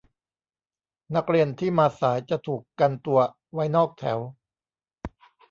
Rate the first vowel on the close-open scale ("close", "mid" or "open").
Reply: open